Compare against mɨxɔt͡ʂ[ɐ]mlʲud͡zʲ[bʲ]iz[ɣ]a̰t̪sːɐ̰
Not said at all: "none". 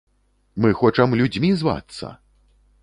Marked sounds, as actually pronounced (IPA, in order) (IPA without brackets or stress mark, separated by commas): ɐ, mʲ, v